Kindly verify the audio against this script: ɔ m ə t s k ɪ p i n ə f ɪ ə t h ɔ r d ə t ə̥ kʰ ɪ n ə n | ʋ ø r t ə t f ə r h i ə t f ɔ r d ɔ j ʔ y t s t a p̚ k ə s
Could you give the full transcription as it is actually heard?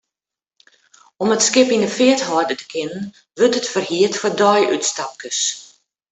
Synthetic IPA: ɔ m ə t s k ɪ p i n ə f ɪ ə t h ɔ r d ə t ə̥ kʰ ɪ n ə n | ʋ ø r t ə t f ə r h i ə t f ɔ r d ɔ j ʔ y t s t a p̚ k ə s